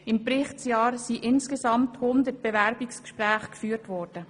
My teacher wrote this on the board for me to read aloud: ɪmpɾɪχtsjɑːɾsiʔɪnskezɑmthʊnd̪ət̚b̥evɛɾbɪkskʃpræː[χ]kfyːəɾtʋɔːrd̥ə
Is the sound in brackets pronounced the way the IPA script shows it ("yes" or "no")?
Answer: yes